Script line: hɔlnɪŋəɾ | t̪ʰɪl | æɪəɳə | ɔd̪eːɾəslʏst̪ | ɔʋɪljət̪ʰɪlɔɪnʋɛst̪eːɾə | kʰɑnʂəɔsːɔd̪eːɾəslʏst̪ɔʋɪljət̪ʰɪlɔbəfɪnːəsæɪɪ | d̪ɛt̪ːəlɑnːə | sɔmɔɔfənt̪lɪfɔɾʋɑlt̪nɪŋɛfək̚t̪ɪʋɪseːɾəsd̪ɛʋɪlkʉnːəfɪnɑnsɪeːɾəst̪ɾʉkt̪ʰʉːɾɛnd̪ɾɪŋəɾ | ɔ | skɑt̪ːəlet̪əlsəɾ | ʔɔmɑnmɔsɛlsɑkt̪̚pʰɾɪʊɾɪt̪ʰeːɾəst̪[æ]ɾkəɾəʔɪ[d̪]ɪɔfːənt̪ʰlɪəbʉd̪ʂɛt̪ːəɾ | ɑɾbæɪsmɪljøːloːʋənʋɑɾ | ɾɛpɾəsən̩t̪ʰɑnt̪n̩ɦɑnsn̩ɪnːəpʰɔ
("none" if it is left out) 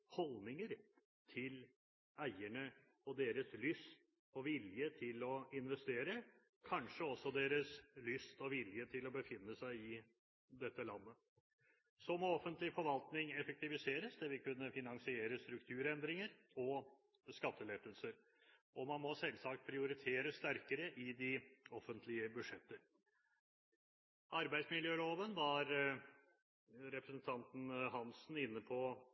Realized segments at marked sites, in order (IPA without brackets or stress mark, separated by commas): æ, d̪